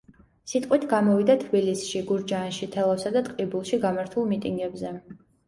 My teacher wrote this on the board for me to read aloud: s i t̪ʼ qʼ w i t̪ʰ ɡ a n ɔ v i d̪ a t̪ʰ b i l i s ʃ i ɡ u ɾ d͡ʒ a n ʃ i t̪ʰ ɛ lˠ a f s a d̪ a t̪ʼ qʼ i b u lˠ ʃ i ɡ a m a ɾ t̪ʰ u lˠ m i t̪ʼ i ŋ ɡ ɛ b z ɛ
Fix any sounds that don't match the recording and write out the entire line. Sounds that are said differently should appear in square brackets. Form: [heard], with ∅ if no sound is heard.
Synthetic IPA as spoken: s i t̪ʼ qʼ w i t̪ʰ ɡ a [m] ɔ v i d̪ a t̪ʰ b i l i s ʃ i ɡ u ɾ d͡ʒ a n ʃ i t̪ʰ ɛ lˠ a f s a d̪ a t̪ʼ qʼ i b u lˠ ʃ i ɡ a m a ɾ t̪ʰ u lˠ m i t̪ʼ i ŋ ɡ ɛ b z ɛ